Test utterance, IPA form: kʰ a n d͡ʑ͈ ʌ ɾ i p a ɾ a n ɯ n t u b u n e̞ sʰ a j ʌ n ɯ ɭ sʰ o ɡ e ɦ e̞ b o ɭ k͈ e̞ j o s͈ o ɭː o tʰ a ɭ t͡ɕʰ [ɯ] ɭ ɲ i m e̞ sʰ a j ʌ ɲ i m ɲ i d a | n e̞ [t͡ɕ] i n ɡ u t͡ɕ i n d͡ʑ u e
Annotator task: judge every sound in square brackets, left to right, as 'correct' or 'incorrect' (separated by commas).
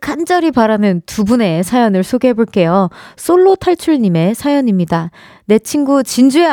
incorrect, incorrect